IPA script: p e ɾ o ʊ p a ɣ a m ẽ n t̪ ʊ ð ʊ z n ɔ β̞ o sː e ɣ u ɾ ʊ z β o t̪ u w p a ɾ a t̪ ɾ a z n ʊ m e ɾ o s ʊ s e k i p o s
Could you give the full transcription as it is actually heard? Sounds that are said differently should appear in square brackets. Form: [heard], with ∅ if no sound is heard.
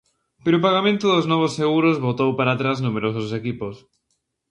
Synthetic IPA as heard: p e ɾ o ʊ p a ɣ a m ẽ n t̪ ʊ ð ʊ z n ɔ β̞ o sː e ɣ u ɾ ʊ z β o t̪ [o] w p a ɾ a t̪ ɾ a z n [u] m e ɾ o s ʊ s e k i p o s